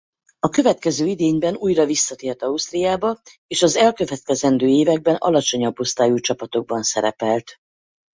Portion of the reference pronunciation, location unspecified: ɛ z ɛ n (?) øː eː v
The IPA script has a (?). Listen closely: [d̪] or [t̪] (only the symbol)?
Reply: d̪